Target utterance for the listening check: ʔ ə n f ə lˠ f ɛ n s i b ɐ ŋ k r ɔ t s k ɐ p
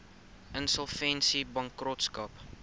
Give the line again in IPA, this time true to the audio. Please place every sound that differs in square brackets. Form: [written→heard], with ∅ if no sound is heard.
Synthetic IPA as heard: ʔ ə n [f→s] ə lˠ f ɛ n s i b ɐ ŋ k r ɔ t s k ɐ p